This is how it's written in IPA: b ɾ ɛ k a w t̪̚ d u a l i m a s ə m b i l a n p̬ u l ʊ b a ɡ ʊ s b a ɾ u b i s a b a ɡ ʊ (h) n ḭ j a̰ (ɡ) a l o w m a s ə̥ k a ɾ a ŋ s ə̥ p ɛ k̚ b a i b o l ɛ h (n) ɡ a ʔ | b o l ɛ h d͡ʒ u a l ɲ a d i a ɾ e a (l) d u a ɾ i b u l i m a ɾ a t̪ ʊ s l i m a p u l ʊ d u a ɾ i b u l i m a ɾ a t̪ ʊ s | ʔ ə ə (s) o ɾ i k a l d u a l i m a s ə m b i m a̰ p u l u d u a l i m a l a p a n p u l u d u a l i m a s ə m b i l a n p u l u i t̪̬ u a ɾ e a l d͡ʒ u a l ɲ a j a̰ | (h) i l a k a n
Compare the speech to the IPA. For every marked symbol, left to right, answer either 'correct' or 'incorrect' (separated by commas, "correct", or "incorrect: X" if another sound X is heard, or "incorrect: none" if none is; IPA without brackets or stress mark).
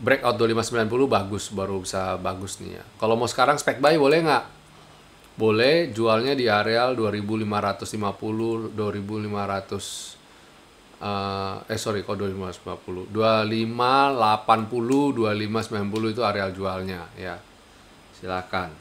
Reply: incorrect: s, incorrect: k, incorrect: ŋ, correct, correct, incorrect: s